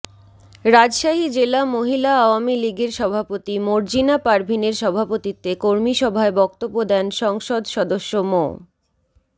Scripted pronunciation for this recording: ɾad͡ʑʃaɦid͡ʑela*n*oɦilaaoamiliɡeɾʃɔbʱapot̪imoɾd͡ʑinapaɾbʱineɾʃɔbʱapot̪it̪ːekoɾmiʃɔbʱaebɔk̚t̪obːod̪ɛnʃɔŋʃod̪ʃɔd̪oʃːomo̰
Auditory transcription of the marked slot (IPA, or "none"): m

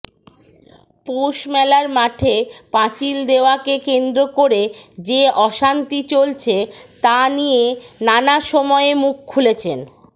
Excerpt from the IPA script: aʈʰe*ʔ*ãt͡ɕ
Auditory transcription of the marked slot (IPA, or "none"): p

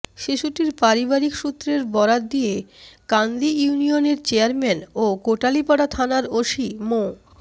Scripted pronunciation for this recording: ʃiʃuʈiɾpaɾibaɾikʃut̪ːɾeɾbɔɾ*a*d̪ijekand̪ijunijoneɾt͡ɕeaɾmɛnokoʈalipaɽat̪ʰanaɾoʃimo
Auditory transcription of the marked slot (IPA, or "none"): a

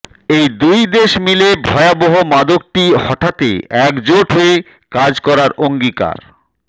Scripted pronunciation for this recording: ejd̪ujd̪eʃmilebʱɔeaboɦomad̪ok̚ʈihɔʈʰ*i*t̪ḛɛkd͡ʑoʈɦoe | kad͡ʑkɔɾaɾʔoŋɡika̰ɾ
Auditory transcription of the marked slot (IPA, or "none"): a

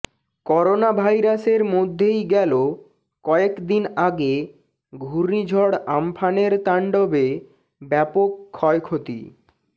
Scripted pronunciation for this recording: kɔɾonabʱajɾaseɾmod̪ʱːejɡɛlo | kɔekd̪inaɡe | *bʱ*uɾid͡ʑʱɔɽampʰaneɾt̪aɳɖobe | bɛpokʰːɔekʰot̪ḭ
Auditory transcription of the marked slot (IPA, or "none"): ɡʱ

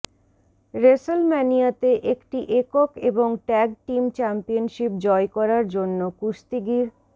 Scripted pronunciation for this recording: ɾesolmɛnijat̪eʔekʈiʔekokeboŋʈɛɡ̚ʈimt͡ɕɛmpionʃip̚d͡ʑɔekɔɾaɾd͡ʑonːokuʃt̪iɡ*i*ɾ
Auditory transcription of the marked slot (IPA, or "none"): i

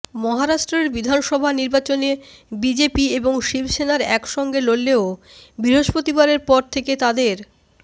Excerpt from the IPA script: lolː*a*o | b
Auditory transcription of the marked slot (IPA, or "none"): e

